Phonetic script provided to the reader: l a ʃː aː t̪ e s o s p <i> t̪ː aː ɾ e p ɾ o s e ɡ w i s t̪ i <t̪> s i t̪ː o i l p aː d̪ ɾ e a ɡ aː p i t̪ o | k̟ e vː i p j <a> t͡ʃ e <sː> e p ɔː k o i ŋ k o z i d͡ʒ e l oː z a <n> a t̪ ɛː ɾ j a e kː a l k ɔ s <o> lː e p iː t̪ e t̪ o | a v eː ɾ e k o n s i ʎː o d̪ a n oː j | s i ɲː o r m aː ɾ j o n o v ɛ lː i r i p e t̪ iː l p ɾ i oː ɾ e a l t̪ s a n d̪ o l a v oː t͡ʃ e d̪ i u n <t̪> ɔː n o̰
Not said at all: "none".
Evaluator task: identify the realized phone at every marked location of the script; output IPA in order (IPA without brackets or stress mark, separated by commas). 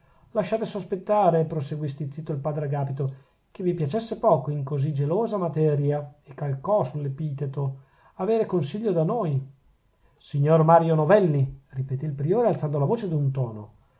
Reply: e, t̪, a, sː, m, u, t̪